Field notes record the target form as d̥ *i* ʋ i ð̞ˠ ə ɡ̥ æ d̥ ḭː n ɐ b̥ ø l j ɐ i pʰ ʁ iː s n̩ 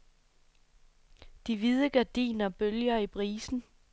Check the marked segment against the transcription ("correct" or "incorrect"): correct